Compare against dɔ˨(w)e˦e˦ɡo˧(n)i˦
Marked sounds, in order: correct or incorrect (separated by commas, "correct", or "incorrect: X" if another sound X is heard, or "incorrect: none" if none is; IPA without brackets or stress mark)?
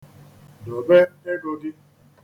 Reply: incorrect: b, incorrect: d